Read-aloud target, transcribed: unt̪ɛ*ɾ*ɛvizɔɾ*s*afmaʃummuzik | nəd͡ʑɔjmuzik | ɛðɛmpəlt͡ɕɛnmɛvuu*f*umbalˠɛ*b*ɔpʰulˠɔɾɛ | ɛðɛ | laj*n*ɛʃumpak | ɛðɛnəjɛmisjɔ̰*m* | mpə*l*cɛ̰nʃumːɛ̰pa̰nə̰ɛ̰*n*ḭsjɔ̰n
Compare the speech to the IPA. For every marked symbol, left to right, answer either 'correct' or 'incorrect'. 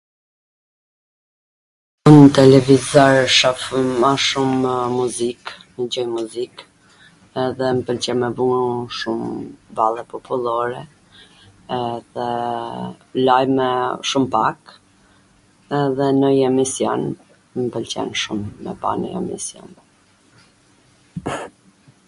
incorrect: l, incorrect: ʃ, incorrect: ʃ, incorrect: p, incorrect: m, incorrect: n, correct, incorrect: m

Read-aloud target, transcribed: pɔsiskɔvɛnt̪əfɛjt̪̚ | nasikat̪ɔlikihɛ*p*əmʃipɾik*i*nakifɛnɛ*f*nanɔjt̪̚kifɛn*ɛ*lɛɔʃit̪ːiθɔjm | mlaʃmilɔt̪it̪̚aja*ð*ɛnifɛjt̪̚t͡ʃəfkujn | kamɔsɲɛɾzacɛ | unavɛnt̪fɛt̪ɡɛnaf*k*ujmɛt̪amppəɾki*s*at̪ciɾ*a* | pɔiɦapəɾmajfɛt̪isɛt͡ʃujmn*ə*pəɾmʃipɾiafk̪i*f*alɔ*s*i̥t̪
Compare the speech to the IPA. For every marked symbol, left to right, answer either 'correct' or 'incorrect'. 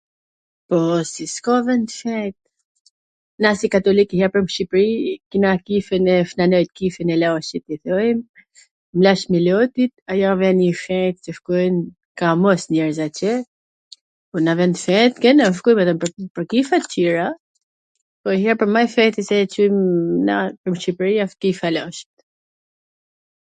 correct, correct, correct, correct, incorrect: v, correct, incorrect: f, correct, incorrect: a, correct, incorrect: ʃ

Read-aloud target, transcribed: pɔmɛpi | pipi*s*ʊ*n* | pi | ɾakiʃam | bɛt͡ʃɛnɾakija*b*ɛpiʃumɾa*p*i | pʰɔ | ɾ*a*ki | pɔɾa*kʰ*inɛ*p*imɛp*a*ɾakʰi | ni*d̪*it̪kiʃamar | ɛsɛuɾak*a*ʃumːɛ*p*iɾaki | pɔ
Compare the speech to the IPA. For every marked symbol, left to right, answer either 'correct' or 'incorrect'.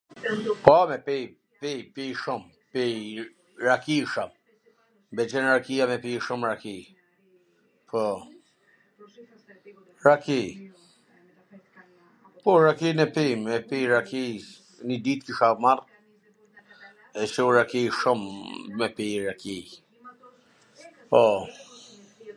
incorrect: ʃ, incorrect: m, incorrect: m, incorrect: k, correct, incorrect: k, correct, incorrect: i, correct, incorrect: i, correct

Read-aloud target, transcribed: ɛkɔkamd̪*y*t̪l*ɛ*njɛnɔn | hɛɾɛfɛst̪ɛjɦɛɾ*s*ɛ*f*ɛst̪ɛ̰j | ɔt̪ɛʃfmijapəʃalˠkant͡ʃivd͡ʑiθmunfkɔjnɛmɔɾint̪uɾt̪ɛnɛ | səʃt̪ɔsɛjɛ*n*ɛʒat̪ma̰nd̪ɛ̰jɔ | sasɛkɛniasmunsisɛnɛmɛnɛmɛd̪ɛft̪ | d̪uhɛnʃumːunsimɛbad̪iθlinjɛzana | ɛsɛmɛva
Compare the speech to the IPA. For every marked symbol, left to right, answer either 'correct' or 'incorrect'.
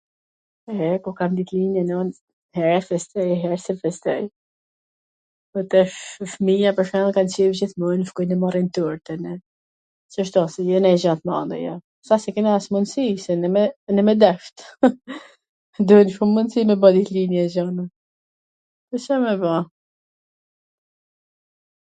incorrect: i, incorrect: i, correct, correct, correct

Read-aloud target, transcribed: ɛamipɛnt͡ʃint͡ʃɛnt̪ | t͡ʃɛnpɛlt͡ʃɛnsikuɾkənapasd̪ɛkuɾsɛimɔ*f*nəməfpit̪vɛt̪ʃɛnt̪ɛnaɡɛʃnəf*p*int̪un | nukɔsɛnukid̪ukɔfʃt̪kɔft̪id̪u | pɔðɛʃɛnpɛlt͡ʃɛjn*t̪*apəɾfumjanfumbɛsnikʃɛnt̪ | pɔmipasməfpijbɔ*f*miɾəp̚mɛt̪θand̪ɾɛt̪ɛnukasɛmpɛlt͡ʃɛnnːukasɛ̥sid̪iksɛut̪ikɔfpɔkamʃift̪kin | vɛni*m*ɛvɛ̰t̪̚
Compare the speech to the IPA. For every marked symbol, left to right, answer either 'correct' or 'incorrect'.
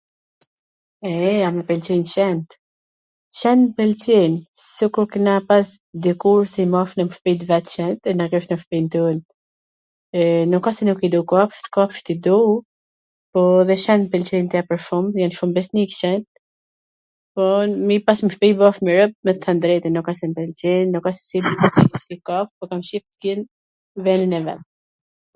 correct, correct, correct, correct, incorrect: n

